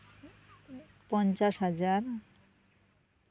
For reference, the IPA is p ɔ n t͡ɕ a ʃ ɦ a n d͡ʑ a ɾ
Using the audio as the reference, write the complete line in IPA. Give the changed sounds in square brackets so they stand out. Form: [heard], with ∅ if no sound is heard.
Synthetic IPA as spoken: p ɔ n t͡ɕ a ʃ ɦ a [∅] d͡ʑ a ɾ